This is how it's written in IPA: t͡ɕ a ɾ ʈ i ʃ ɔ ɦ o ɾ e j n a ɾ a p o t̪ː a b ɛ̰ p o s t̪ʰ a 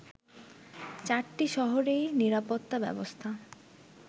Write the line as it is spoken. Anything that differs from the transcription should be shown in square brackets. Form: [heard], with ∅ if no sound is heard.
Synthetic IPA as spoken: t͡ɕ a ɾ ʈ i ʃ ɔ ɦ o ɾ e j n [i] ɾ a p o t̪ː a b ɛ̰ [b] o s t̪ʰ a

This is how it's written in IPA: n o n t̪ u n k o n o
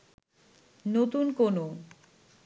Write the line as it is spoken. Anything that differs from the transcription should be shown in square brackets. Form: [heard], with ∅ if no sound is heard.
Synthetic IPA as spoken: n o [∅] t̪ u n k o n o

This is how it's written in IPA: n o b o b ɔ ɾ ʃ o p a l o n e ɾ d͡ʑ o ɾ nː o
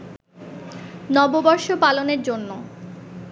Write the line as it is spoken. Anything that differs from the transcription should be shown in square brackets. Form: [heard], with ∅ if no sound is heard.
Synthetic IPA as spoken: n [ɔ] b o b ɔ ɾ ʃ o p a l o n e ɾ d͡ʑ o [∅] nː o

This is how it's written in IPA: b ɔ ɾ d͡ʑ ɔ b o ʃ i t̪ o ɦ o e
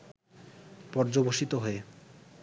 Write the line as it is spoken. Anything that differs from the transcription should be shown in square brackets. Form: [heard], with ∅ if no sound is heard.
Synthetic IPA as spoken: [p] ɔ ɾ d͡ʑ [o] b o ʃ i t̪ o ɦ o e

